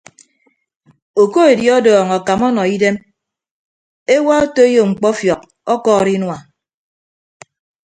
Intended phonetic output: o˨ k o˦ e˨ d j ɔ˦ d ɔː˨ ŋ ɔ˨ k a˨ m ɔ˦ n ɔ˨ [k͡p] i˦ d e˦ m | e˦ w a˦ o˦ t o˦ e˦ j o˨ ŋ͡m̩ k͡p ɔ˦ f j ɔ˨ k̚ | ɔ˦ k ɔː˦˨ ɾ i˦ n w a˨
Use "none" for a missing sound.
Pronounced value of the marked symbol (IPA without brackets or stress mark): none